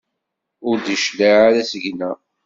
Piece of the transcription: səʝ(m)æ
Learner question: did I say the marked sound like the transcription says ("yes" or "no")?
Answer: no